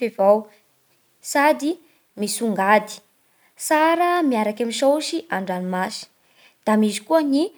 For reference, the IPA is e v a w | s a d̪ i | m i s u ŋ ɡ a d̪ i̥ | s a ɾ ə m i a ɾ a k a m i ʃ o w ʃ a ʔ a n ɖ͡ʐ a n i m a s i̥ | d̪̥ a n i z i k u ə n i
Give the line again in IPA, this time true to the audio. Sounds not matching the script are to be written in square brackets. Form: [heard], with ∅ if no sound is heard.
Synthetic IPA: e v a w | s a d̪ i | m i s u ŋ ɡ a d̪ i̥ | s a ɾ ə m i a ɾ a k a m i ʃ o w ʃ [i] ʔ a [ɳ] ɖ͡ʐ a n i m a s i̥ | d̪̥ a [m] i z i k u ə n i